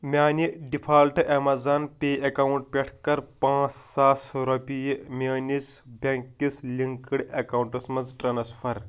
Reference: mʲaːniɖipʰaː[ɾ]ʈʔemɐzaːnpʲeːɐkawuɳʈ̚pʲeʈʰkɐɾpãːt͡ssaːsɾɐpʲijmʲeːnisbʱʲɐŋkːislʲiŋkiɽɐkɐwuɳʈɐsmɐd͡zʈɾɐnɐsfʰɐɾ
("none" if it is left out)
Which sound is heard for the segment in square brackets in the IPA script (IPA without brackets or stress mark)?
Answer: l